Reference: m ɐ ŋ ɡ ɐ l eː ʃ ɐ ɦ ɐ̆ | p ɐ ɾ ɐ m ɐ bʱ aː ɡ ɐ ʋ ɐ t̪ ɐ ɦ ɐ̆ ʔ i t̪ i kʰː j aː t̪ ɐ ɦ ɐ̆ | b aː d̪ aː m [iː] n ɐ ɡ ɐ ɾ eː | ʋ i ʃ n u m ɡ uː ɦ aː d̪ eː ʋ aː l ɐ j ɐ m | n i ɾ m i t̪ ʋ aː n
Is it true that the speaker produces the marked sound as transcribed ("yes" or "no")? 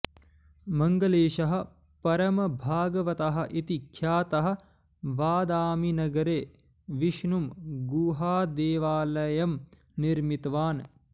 no